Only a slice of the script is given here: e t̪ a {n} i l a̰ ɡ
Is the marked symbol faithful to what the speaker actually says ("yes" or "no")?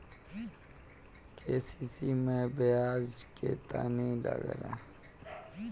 yes